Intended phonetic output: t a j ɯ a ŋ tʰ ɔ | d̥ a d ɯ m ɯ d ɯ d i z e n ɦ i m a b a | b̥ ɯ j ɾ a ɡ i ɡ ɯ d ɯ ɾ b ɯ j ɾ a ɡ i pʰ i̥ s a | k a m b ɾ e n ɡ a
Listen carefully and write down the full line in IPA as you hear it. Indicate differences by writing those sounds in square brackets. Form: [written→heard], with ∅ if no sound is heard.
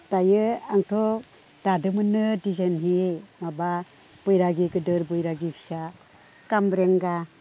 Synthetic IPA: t a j ɯ a ŋ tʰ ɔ | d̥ a d ɯ m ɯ [d→n] ɯ d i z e n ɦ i m a b a | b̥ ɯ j ɾ a ɡ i ɡ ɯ d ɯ ɾ b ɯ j ɾ a ɡ i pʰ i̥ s a | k a m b ɾ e [n→ŋ] ɡ a